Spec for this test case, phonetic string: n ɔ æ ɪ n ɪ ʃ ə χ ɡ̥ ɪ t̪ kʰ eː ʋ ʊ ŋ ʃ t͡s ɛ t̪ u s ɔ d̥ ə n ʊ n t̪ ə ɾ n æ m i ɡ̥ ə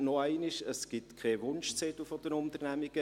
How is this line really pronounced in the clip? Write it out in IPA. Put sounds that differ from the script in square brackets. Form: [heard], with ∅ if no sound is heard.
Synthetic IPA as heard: n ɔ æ ɪ n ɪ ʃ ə [s] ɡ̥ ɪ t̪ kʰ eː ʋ ʊ [n] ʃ t͡s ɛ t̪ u [f] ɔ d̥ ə n ʊ n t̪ ə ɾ n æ m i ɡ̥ ə